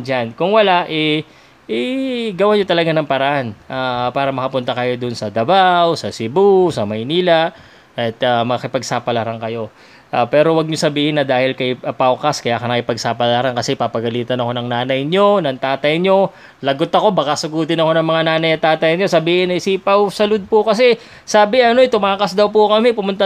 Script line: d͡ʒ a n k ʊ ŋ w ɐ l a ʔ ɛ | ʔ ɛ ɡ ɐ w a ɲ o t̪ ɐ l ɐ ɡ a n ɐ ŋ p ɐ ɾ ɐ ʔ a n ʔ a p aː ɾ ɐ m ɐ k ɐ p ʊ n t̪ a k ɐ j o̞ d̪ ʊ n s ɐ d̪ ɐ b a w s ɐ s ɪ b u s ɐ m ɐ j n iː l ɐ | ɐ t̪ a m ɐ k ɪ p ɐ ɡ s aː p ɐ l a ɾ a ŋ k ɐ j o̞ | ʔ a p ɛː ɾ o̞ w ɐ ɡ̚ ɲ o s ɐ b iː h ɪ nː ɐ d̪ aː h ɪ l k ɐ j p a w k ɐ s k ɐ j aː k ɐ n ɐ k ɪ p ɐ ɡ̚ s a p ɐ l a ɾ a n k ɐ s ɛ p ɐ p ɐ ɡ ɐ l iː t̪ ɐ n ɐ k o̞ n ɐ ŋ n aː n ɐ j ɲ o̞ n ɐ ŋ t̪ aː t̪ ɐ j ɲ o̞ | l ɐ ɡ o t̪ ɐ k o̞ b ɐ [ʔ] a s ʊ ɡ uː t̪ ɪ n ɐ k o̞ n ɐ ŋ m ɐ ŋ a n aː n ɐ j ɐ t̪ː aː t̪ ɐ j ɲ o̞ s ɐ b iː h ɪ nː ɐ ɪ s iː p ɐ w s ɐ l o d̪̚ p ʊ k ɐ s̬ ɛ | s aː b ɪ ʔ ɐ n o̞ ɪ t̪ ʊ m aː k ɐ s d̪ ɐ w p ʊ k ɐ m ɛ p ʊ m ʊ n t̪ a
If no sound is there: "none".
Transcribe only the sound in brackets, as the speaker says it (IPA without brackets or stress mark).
k